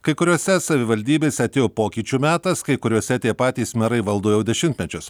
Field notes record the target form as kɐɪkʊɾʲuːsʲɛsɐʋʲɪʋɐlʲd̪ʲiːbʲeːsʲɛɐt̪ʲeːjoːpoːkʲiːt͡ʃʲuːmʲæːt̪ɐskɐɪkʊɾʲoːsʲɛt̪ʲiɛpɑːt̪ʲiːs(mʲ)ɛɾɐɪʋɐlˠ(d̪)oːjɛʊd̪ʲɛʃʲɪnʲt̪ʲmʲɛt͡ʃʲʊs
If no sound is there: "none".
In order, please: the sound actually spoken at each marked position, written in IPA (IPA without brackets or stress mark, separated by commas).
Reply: mʲ, d̪